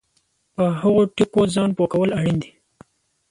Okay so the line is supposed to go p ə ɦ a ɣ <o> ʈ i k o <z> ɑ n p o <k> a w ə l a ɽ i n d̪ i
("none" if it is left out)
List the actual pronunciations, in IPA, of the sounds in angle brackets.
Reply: o, z, k

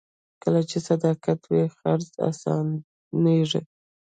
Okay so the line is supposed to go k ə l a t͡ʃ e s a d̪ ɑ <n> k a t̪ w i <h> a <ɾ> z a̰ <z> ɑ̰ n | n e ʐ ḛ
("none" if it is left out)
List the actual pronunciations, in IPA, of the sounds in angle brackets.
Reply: none, x, ɾ, s

